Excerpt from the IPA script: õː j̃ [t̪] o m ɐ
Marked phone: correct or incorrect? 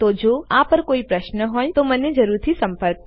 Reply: correct